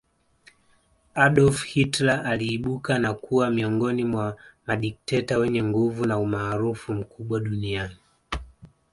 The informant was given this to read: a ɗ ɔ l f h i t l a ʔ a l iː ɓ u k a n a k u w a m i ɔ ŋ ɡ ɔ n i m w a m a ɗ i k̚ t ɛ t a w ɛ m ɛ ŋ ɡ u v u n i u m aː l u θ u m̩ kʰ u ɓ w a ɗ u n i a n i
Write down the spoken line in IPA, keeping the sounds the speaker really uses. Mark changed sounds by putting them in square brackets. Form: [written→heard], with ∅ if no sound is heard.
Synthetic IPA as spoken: a ɗ ɔ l f h i t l a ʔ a l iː ɓ u k a n a k u w a m i ɔ ŋ ɡ ɔ n i m w a m a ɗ i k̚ t ɛ t a w ɛ [m→ɲ] ɛ ŋ ɡ u v u n [i→a] u m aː [l→ɾ] u [θ→f] u m̩ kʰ u ɓ w a ɗ u n i a n i